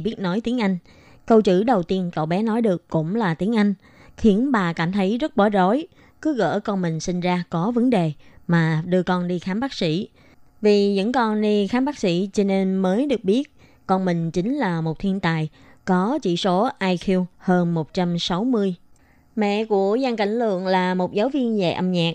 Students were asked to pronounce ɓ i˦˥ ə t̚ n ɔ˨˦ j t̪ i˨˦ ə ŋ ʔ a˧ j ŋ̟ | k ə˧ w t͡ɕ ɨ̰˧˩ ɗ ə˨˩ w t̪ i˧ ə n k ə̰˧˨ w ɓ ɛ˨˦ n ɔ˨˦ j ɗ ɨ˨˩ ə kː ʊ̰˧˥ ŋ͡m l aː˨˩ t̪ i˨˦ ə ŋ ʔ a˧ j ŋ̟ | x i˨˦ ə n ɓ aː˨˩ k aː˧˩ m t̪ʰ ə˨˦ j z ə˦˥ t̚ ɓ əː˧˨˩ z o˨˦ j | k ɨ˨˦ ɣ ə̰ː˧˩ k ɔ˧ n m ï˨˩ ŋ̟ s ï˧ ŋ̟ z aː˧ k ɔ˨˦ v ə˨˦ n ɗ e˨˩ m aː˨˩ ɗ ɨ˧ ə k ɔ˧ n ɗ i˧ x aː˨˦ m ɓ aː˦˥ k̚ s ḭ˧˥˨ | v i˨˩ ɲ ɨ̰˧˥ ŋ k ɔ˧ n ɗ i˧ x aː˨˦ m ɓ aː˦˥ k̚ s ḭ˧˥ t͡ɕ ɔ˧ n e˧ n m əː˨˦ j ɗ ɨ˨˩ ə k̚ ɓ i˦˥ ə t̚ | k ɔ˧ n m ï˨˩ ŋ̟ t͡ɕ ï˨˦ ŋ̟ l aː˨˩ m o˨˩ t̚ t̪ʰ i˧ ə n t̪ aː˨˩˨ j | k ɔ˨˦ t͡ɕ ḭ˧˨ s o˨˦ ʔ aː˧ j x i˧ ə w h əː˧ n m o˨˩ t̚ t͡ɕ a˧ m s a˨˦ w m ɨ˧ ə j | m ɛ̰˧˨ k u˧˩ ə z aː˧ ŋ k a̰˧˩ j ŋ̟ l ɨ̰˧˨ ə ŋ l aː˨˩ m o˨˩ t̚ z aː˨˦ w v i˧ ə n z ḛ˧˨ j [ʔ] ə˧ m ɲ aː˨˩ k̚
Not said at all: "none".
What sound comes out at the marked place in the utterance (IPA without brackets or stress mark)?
ʔ